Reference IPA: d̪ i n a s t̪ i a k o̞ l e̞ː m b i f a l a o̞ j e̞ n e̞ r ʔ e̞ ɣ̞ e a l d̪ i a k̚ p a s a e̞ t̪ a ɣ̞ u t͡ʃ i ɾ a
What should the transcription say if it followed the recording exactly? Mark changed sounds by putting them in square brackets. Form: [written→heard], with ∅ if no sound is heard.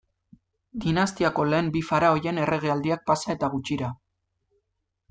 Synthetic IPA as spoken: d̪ i n a s t̪ i a k o̞ l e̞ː m b i f a [l→ɾ] a o̞ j e̞ n e̞ r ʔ e̞ ɣ̞ e a l d̪ i a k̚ p a s a e̞ t̪ a ɣ̞ u t͡ʃ i ɾ a

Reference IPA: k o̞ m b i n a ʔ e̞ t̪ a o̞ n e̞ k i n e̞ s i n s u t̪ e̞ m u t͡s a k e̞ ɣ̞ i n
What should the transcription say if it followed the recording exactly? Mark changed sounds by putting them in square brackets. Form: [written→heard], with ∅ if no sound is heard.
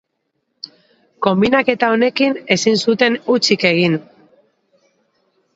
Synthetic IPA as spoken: k o̞ m b i n a [ʔ→k] e̞ t̪ a o̞ n e̞ k i n e̞ s i n s u t̪ e̞ [m→n] u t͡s [a→i] k e̞ ɣ̞ i n

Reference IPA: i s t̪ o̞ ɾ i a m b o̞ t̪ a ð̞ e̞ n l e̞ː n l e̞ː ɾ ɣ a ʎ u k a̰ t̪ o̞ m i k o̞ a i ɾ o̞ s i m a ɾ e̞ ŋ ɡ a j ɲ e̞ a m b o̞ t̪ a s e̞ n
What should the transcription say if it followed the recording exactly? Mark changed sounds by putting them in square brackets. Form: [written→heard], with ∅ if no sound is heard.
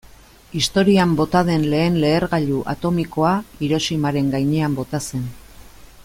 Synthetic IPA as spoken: i s t̪ o̞ ɾ i a m b o̞ t̪ a ð̞ e̞ n l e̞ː n l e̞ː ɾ ɣ a ʎ u [k→ʔ] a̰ t̪ o̞ m i k o̞ a i ɾ o̞ s i m a ɾ e̞ ŋ ɡ a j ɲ e̞ a m b o̞ t̪ a s e̞ n

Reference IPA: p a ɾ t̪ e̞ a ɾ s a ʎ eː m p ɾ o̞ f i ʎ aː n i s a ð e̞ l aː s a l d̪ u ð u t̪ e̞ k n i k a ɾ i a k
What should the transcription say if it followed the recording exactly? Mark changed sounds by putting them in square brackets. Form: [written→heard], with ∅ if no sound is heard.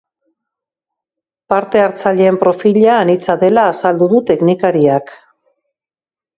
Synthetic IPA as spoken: p a ɾ t̪ e̞ a ɾ [s→t͡s] a ʎ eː m p ɾ o̞ f i ʎ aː n i [s→t͡s] a ð e̞ l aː s a l d̪ u ð u t̪ e̞ k n i k a ɾ i a k

